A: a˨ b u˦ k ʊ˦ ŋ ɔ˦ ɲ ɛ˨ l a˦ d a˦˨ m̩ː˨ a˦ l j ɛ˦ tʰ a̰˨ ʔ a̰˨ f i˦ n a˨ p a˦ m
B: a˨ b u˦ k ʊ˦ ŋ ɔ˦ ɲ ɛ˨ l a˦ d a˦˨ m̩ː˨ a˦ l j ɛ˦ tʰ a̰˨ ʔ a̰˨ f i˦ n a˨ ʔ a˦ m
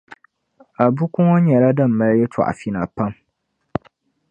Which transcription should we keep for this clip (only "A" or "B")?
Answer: A